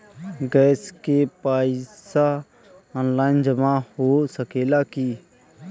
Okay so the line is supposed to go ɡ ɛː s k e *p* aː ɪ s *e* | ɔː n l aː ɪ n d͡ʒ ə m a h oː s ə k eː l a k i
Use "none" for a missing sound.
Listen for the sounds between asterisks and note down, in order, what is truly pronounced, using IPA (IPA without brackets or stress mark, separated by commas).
p, a